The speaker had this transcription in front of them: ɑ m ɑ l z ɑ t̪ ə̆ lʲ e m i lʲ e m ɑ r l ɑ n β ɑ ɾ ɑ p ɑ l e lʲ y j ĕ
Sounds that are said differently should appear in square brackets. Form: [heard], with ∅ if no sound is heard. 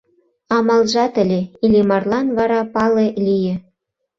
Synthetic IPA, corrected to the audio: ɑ m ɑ l [ʒ] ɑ t̪ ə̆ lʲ e [∅] i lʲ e m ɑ r l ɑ n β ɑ ɾ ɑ p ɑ l e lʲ [i] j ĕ